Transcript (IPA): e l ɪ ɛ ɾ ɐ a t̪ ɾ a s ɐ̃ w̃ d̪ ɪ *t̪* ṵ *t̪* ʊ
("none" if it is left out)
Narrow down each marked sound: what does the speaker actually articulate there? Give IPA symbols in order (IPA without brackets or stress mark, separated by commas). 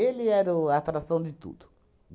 t̪, d̪